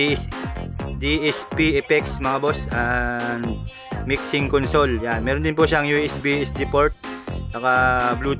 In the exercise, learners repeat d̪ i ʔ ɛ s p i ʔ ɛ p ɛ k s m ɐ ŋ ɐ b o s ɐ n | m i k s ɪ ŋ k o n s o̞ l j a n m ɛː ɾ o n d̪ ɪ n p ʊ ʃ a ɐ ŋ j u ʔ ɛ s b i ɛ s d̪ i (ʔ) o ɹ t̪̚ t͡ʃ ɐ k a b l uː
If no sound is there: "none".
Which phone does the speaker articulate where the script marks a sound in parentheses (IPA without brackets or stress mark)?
p